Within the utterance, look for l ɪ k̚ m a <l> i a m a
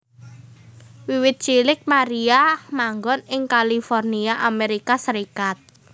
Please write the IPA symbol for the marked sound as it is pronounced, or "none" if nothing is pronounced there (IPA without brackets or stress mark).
ɾ